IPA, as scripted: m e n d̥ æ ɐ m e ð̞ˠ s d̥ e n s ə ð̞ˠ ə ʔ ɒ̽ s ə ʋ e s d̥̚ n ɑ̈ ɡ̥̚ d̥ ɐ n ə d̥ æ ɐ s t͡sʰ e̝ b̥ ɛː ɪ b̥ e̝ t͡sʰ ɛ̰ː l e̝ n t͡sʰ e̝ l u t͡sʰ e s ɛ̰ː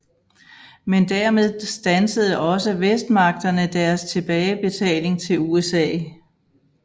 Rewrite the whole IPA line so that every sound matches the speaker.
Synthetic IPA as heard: m e n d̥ æ ɐ m e ð̞ˠ s d̥ æ n s ə ð̞ˠ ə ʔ ɒ̽ s ə ʋ e s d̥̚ m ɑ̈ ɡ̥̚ d̥ ɐ n ə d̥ æ ɐ s t͡sʰ e̝ b̥ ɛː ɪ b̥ e̝ t͡sʰ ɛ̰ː l e̝ ŋ t͡sʰ e̝ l u e s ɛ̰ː